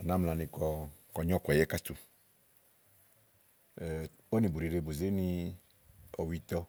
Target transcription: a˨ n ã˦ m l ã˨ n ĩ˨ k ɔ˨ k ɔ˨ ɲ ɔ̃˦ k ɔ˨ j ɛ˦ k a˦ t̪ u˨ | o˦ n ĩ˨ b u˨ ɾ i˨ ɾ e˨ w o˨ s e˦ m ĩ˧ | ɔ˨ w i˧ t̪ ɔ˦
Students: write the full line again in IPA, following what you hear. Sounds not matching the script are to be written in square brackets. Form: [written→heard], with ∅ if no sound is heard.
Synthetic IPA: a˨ n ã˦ m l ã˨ n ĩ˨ k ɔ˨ k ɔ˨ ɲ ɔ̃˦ k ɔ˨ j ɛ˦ k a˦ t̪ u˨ | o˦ n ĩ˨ b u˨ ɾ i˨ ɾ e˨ [w→b] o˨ [s→z] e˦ [m→n] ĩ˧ | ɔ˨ w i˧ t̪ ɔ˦